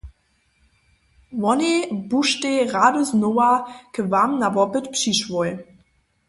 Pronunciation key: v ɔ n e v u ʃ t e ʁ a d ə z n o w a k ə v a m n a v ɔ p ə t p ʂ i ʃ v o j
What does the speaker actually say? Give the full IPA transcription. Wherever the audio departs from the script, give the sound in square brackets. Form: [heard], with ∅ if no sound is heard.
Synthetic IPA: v ɔ n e [b] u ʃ t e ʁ a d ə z n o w a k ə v a m n a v ɔ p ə t p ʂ i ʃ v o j